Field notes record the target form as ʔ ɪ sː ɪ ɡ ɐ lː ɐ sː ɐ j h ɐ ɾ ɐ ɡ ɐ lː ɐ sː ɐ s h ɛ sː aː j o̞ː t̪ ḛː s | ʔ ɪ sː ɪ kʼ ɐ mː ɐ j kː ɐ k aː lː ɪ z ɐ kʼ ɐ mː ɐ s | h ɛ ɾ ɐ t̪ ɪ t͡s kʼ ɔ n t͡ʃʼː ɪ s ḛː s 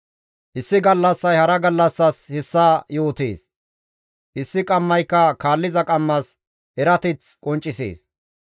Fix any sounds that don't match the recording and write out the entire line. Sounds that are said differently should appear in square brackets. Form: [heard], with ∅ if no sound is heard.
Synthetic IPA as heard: ʔ ɪ sː ɪ ɡ ɐ lː ɐ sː ɐ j h ɐ ɾ ɐ ɡ ɐ lː ɐ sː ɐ s h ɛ sː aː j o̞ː t̪ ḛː s | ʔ ɪ sː ɪ kʼ ɐ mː ɐ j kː ɐ k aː lː ɪ z ɐ kʼ ɐ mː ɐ s | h ɛ ɾ ɐ t̪ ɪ t͡s kʼ ɔ n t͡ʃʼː ɪ s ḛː s